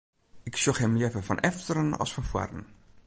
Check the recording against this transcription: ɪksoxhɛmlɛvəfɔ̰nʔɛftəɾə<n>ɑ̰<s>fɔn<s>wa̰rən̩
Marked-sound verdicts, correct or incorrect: correct, correct, incorrect: f

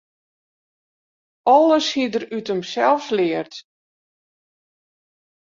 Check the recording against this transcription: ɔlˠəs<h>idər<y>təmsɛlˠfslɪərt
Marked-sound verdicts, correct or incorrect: correct, correct

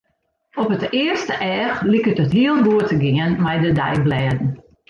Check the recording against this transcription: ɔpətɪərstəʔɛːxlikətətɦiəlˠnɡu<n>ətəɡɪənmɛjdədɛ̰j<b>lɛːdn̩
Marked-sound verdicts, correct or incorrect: incorrect: none, correct

